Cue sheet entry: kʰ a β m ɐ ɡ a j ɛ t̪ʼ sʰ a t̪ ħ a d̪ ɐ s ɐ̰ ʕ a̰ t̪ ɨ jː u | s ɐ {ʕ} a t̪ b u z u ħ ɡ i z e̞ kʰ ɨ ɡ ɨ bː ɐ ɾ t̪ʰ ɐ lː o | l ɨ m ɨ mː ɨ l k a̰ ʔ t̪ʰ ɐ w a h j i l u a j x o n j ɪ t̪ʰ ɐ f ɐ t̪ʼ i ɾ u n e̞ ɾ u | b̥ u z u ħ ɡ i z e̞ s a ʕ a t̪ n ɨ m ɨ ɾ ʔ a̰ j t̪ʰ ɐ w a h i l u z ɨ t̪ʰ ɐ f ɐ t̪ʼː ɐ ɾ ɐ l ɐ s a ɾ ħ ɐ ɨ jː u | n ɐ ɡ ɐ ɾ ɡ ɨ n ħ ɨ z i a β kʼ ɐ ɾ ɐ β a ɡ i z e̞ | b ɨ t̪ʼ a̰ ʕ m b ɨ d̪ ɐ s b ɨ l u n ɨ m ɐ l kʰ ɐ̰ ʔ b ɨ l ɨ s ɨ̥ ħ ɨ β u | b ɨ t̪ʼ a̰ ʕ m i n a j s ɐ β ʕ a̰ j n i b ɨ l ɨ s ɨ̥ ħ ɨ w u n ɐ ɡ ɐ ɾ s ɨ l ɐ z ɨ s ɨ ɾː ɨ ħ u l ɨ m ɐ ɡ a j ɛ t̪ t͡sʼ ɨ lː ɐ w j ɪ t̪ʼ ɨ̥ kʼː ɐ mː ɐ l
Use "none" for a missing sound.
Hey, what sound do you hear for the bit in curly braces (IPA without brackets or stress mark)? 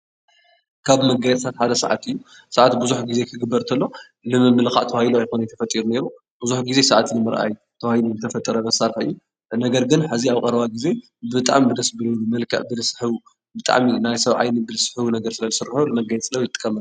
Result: ʕ